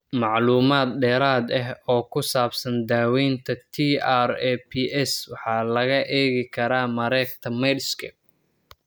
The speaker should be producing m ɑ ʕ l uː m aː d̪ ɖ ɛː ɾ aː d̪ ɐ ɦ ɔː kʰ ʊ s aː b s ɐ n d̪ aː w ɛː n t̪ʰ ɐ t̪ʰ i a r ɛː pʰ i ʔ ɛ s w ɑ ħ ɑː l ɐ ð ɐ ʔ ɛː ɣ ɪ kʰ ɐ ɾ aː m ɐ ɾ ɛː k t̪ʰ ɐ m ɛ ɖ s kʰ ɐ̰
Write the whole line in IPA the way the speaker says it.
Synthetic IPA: m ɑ ʕ l uː m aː d̪ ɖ ɛː ɾ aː d̪ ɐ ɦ ɔː kʰ ʊ s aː b s ɐ n d̪ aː w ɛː n t̪ʰ ɐ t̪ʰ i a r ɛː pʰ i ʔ ɛ s w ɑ ħ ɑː l ɐ ɣ ɐ ʔ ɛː ɣ ɪ kʰ ɐ ɾ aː m ɐ ɾ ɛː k t̪ʰ ɐ m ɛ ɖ s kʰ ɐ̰